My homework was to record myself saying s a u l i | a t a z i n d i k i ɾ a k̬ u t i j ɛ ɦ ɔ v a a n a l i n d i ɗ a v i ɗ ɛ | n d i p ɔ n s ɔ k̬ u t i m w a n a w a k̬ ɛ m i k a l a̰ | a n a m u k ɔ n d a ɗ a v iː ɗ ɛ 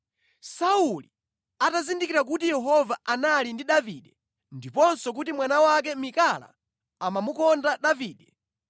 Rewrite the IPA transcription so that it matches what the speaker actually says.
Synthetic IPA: s a u l i | a t a z i n d i k i ɾ a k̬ u t i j ɛ ɦ ɔ v a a n a l i n d i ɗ a v i ɗ ɛ | n d i p ɔ n s ɔ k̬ u t i m w a n a w a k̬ ɛ m i k a l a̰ | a m a m u k ɔ n d a ɗ a v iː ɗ ɛ